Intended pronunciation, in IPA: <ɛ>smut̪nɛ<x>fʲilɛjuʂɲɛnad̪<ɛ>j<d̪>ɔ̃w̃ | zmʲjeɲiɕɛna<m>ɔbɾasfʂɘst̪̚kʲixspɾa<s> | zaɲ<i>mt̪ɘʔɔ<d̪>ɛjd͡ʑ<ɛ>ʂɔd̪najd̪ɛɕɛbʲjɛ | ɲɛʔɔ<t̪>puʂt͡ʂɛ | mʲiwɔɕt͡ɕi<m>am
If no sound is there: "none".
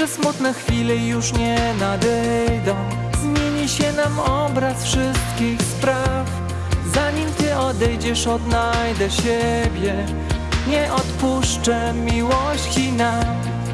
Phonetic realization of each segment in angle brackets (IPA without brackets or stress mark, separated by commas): ɛ, x, ɛ, d̪, m, f, i, d̪, ɛ, t̪, n